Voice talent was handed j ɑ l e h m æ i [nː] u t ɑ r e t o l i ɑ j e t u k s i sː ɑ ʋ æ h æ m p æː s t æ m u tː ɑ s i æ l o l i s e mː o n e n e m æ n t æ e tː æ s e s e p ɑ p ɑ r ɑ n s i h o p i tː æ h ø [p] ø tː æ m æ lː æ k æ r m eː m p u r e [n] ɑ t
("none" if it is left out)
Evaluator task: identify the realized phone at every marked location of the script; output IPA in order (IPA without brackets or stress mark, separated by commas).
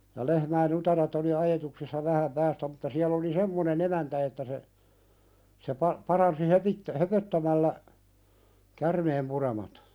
n, p, m